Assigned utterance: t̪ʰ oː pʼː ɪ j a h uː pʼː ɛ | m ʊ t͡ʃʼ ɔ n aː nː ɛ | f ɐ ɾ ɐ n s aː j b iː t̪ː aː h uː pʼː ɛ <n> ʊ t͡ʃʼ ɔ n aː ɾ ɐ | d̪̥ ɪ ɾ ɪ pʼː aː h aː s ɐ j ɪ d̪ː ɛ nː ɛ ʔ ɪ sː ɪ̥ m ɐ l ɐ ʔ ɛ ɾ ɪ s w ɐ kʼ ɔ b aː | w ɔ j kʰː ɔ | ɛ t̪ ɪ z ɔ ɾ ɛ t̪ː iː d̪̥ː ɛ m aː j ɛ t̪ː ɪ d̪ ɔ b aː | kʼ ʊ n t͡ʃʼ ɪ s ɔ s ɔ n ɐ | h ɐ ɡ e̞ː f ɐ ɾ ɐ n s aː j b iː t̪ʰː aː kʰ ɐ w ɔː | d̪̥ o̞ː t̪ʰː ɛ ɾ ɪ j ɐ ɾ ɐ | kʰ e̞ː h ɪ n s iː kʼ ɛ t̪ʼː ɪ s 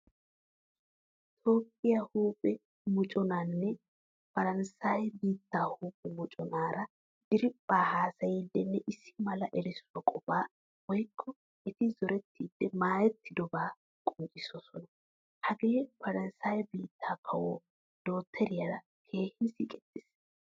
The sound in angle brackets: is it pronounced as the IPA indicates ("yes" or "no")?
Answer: no